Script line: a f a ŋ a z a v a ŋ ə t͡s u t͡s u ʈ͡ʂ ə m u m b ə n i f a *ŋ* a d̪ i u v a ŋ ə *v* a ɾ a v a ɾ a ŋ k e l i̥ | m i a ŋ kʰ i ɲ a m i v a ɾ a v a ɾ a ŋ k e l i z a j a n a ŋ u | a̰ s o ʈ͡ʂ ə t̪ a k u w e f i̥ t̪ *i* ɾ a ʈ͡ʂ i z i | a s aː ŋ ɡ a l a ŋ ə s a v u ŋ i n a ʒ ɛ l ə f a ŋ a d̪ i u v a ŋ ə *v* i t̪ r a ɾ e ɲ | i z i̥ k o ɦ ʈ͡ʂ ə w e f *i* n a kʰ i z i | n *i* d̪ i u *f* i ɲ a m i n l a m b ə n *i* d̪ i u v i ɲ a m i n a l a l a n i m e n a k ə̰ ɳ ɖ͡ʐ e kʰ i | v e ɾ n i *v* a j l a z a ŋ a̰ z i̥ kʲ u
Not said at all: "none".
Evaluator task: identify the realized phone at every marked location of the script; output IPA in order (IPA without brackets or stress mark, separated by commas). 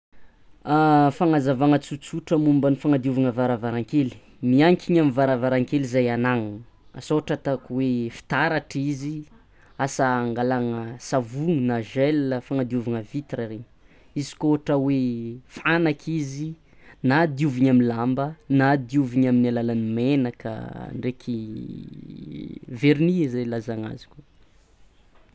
ŋ, v, a, v, a, a, v, a, z